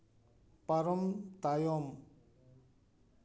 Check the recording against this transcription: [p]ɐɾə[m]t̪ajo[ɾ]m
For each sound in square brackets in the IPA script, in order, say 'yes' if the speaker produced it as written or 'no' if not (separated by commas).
yes, yes, no